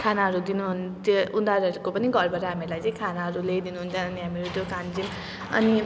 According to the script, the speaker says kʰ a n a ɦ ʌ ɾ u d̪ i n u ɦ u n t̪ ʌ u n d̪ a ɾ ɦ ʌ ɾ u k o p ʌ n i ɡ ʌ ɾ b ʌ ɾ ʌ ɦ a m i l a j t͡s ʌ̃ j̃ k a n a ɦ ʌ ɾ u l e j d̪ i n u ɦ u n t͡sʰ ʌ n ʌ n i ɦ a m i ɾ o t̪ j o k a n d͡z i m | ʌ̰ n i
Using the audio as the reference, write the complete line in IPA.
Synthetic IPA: kʰ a n a ɦ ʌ ɾ u d̪ i n u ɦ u n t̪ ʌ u n d̪ a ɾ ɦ ʌ ɾ u k o p ʌ n i ɡ ʌ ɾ b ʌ ɾ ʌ ɦ a m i l a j t͡s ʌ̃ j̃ kʰ a n a ɦ ʌ ɾ u l e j d̪ i n u ɦ u n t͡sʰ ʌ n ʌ n i ɦ a m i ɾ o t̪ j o k a n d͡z i m | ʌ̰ n i